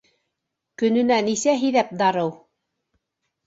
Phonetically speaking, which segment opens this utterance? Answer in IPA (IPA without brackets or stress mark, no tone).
k